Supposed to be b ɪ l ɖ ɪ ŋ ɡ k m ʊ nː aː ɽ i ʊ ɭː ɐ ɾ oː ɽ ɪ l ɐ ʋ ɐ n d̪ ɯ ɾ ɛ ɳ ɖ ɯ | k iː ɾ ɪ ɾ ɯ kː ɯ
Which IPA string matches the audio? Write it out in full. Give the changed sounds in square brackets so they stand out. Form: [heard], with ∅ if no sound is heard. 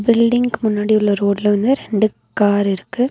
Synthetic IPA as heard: b ɪ l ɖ ɪ ŋ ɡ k m ʊ nː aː ɽ i ʊ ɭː ɐ ɾ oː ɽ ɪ l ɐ ʋ ɐ n d̪ ɯ ɾ ɛ ɳ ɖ ɯ | k [aː] ɾ ɪ ɾ ɯ kː ɯ